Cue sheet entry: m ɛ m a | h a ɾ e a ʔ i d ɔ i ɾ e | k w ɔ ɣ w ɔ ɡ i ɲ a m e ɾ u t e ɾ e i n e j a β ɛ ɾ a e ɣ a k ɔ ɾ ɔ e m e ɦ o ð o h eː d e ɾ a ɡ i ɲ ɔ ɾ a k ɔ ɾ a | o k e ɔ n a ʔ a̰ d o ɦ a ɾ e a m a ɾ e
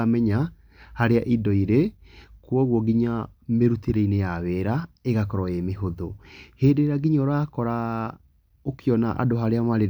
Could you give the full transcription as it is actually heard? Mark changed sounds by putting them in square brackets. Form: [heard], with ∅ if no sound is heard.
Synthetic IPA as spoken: m ɛ [ɲ] a | h a ɾ e a ʔ i d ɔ i ɾ e | k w ɔ ɣ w ɔ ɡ i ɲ a m e ɾ u t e ɾ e i n e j a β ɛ ɾ a e ɣ a k ɔ ɾ ɔ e m e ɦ o ð o h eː d e ɾ a ɡ i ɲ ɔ ɾ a k ɔ ɾ a | o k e ɔ n a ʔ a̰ d o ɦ a ɾ e a m a ɾ e